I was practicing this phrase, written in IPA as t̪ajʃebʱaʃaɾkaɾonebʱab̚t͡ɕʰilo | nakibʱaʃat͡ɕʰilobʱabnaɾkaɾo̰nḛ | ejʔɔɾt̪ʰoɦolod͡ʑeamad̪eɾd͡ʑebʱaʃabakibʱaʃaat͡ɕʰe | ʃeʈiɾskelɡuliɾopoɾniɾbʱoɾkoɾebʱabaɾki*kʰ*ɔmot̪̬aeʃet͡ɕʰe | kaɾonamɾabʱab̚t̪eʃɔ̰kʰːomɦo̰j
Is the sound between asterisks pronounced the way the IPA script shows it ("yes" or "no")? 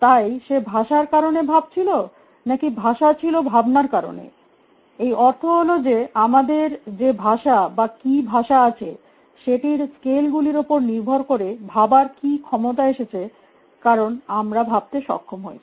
yes